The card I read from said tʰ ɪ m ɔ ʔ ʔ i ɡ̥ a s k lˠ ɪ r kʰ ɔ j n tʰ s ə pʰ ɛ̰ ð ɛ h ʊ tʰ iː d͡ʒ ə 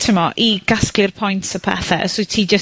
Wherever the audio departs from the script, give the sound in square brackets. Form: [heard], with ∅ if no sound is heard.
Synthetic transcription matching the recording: tʰ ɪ m ɔ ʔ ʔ i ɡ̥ a s k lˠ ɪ r [pʰ] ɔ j n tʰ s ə pʰ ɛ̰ [θ] ɛ [s] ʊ tʰ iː d͡ʒ ə